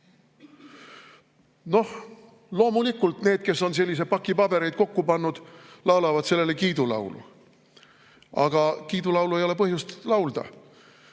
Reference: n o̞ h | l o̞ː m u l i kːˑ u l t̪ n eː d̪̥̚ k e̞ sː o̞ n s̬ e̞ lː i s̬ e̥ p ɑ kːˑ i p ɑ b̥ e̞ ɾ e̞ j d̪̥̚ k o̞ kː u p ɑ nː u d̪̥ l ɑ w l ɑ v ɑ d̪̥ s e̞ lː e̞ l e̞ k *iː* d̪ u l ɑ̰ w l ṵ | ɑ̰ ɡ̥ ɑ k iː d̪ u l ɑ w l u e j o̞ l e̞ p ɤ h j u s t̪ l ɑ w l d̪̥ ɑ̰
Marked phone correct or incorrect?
correct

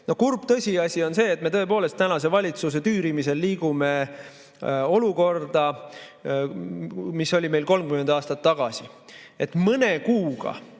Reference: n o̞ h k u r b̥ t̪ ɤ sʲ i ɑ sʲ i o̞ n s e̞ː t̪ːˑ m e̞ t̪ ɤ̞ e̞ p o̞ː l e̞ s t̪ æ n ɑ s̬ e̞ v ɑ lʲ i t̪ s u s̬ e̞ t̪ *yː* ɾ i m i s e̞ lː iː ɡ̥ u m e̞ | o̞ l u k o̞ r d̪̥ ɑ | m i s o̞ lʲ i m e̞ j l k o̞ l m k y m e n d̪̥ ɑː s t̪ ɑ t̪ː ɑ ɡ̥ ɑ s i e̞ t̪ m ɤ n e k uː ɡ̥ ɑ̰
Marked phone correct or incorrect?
correct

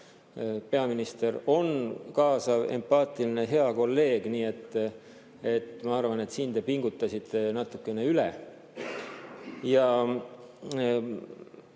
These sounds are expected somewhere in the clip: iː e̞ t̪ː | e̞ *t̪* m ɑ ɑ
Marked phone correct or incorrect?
correct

